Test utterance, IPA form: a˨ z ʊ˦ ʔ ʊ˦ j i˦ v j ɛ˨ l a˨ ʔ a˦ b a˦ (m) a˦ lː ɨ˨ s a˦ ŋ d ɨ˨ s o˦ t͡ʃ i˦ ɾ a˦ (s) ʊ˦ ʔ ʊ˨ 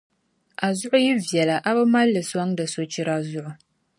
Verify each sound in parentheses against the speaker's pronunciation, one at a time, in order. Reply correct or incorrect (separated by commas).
correct, incorrect